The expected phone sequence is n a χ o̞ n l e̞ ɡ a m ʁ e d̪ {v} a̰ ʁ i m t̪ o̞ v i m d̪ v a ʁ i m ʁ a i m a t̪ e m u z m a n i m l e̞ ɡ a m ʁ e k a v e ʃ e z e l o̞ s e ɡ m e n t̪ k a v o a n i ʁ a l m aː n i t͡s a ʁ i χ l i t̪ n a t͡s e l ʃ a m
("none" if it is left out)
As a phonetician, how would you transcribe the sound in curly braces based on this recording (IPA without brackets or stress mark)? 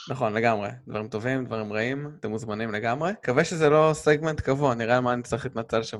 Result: v